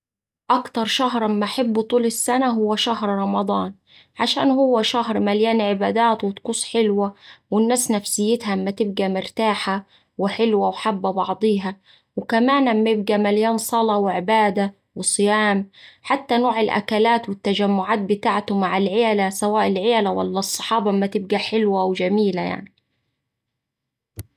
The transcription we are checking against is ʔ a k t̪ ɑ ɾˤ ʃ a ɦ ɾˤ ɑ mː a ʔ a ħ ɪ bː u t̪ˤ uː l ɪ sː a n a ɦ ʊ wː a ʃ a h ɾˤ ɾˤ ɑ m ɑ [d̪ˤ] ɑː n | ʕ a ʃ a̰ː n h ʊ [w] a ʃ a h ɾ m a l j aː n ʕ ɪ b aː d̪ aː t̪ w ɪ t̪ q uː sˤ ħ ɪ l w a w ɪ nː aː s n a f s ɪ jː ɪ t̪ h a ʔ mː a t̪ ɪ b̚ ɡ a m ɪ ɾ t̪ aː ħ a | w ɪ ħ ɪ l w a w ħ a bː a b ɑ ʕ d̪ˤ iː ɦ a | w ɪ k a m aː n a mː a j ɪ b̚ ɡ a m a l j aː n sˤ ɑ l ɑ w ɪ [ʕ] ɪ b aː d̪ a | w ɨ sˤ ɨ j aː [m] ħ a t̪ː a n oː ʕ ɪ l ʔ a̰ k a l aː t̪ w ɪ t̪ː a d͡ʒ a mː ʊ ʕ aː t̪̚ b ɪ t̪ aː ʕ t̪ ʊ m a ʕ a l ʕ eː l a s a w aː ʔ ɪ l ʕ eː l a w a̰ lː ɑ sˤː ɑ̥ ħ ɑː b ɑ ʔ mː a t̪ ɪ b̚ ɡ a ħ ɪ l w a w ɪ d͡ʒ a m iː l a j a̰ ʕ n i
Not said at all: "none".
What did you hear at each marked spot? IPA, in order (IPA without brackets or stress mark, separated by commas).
d̪ˤ, wː, ʕ, m